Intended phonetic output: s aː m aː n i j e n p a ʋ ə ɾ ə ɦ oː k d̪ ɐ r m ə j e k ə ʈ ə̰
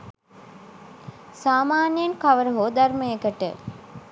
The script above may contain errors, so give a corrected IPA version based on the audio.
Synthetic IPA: s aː m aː n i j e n k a ʋ ə ɾ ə ɦ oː d̪ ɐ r m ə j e k ə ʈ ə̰